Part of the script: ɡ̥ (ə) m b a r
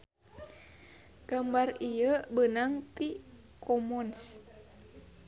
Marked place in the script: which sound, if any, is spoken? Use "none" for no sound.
a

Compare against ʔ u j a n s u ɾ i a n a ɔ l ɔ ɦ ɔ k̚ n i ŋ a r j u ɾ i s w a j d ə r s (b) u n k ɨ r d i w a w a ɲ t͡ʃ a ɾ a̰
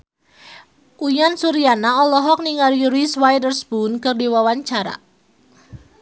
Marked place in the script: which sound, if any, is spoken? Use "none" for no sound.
b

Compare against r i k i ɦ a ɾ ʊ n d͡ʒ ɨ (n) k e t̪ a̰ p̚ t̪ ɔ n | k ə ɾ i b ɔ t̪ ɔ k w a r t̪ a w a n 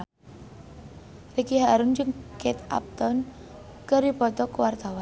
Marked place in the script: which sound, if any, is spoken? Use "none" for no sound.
ŋ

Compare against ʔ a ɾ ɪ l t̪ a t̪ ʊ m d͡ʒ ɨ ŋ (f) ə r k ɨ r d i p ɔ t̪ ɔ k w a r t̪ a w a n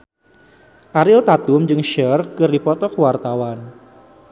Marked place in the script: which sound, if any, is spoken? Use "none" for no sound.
ʃ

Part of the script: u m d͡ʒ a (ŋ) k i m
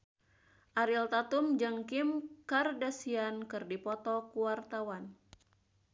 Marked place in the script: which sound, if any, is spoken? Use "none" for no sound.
ŋ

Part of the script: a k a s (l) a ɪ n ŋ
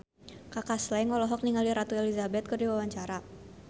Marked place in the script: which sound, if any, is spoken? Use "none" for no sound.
l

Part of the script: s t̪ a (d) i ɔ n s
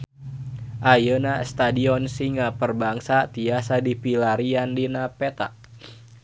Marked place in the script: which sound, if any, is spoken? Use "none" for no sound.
d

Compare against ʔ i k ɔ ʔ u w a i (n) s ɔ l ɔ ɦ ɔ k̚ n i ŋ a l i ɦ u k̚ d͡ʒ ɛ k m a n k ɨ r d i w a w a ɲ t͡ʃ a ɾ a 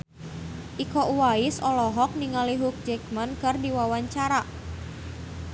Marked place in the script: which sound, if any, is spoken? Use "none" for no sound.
none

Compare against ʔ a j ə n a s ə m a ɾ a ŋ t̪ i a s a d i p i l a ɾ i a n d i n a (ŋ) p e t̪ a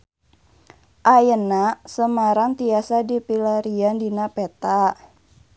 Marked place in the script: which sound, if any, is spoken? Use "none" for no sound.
none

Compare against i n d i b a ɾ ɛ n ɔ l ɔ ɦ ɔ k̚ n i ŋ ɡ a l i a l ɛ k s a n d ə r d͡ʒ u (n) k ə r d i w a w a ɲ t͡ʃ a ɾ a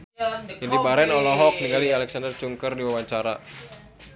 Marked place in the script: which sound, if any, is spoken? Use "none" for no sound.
ŋ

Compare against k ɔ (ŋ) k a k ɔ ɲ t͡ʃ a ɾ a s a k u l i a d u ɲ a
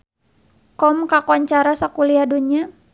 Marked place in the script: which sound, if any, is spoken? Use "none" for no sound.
m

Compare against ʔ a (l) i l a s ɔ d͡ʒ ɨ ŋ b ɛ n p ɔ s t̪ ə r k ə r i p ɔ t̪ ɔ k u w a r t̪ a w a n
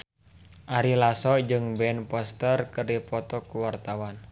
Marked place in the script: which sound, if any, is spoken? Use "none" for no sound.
ɾ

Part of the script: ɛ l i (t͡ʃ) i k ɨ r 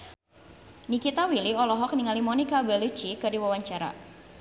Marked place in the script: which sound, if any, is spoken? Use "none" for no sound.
t͡ʃ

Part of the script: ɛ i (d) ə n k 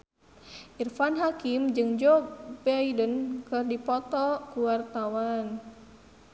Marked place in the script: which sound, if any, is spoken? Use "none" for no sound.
d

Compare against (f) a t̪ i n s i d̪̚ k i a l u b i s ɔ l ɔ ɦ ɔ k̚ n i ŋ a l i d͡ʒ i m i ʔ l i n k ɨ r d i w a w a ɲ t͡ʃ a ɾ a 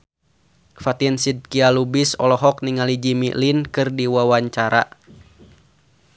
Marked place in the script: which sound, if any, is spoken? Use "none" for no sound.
f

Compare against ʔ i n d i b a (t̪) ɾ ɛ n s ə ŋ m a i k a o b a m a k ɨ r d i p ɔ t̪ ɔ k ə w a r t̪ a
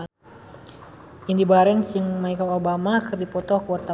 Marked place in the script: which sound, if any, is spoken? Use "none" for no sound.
none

